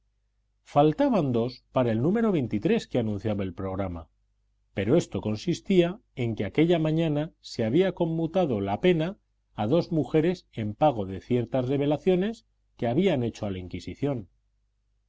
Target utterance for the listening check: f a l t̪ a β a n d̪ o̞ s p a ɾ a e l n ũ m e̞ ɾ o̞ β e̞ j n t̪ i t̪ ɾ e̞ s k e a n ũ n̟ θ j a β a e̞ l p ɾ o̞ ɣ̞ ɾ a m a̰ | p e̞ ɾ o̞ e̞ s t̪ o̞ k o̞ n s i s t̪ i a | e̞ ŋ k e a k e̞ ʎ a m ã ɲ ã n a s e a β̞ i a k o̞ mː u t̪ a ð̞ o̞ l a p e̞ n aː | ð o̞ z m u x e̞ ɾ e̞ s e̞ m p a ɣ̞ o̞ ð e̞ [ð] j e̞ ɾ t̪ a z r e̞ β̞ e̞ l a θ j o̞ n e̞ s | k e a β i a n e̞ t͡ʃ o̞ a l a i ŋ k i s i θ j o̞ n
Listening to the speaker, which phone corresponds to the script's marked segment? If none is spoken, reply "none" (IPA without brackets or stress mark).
θ